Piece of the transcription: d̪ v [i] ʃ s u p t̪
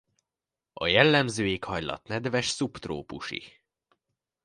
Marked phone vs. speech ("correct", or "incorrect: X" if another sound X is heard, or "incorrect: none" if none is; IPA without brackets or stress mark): incorrect: ɛ